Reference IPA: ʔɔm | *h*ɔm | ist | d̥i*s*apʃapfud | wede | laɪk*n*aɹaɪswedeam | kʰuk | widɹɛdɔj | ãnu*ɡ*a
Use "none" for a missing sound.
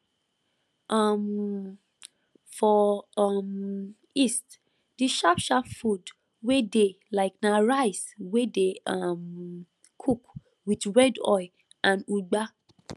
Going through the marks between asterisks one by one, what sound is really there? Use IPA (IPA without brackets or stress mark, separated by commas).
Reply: f, ʃ, n, ɡ͡b